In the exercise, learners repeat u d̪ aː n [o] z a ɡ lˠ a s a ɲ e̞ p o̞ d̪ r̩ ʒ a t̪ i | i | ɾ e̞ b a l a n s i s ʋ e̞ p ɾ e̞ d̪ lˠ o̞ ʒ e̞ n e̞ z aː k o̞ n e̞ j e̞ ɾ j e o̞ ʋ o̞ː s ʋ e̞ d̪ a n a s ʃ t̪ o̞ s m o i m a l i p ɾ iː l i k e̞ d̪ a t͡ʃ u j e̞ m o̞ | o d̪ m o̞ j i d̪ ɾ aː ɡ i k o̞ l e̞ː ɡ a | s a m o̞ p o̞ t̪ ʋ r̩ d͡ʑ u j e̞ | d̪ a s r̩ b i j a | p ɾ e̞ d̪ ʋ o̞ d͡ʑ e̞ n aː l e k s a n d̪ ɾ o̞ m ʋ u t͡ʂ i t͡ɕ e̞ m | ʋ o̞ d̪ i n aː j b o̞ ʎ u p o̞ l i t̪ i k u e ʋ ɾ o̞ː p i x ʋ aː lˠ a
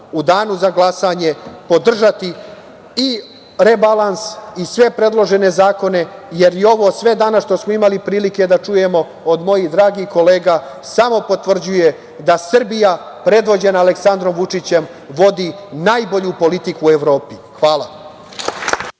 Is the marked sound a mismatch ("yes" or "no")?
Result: yes